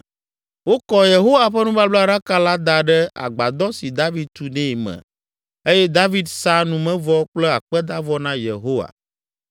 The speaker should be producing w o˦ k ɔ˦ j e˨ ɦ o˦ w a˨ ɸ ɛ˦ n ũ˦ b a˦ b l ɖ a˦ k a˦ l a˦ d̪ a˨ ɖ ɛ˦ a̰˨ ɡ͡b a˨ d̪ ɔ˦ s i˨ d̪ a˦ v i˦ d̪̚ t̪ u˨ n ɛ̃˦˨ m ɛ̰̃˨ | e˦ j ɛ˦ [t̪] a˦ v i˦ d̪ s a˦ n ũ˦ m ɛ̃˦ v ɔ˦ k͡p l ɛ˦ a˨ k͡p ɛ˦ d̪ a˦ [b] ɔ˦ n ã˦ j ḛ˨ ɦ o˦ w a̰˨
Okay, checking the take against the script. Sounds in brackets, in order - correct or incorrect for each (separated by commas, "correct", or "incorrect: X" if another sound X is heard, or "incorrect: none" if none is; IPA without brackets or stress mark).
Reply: incorrect: d̪, incorrect: v